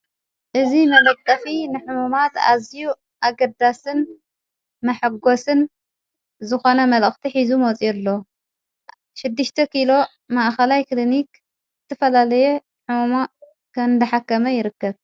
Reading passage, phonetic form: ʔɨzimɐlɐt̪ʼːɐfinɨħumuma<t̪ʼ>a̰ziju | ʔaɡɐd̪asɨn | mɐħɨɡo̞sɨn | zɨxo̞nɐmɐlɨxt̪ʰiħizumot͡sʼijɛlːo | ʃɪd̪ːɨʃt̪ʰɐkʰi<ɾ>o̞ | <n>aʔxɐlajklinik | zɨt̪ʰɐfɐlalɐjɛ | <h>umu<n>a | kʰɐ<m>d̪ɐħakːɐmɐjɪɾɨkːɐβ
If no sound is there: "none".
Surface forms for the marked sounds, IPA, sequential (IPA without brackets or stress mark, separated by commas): t̪, l, m, ħ, m, n